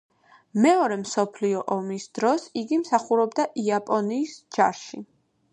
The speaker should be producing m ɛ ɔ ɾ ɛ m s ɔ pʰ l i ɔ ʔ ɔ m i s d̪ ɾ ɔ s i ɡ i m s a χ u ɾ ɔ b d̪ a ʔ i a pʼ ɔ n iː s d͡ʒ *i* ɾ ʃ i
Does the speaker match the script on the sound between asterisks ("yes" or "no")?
no